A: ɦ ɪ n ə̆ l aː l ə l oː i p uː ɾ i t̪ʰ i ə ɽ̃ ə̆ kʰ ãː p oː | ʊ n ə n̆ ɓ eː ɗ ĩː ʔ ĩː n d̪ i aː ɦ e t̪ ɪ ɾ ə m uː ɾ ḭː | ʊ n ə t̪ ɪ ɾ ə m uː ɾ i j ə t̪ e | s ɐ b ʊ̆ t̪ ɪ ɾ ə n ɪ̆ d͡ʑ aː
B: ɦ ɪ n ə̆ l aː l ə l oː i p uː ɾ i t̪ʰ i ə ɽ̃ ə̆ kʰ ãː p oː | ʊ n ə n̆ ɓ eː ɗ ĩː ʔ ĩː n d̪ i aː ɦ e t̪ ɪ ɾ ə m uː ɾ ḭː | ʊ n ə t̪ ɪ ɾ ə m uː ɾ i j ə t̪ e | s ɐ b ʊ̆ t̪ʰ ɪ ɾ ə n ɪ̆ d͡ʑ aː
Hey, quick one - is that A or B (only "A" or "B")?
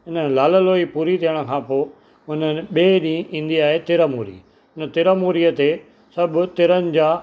A